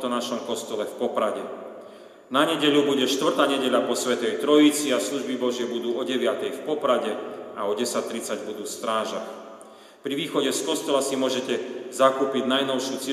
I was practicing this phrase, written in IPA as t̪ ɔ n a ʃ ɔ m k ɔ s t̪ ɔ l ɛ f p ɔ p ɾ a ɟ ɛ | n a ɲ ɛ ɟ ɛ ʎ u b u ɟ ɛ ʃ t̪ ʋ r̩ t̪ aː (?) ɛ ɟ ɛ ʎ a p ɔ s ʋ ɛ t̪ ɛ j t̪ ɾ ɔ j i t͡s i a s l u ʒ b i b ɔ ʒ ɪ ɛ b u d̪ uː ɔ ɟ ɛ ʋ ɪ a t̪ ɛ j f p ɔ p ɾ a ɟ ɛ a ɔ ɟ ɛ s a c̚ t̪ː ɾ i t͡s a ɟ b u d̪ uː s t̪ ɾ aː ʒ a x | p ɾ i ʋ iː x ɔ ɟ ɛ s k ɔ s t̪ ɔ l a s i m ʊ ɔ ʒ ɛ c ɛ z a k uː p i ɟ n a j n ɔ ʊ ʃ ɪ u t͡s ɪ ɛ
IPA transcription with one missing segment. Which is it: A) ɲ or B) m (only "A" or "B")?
A